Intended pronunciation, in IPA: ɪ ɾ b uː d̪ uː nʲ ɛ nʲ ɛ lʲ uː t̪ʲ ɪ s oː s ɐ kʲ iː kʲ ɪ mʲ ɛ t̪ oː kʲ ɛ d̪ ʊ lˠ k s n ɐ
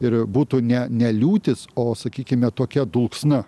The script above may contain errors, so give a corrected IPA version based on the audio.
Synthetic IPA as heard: ɪ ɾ b uː t̪ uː nʲ ɛ nʲ ɛ lʲ uː t̪ʲ ɪ s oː s ɐ kʲ iː kʲ ɪ mʲ ɛ t̪ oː kʲ ɛ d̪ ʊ lˠ k s n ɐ